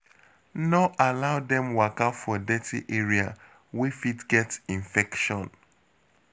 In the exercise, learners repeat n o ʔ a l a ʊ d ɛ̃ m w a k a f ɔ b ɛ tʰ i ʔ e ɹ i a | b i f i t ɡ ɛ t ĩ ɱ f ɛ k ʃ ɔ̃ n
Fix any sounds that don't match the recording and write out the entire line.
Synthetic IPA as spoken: n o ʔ a l a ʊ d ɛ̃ m w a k a f ɔ d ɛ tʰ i ʔ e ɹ i a | w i f i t ɡ ɛ t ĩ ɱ f ɛ k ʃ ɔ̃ n